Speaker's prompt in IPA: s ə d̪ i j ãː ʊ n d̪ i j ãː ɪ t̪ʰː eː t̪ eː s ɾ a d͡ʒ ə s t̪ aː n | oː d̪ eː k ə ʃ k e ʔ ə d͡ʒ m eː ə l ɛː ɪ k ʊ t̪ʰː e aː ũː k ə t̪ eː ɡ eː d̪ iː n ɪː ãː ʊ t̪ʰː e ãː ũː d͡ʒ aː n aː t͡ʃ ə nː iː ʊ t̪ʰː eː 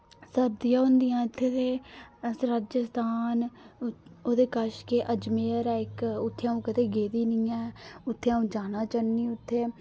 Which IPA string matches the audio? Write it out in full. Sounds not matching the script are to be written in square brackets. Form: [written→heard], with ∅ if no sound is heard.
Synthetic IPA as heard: s ə d̪ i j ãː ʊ n d̪ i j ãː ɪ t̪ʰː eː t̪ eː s ɾ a d͡ʒ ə s t̪ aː n | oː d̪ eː k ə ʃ k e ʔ ə d͡ʒ m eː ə [l→ɾ] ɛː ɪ k ʊ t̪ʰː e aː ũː k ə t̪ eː ɡ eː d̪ iː n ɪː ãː ʊ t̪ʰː e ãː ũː d͡ʒ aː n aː t͡ʃ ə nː iː ʊ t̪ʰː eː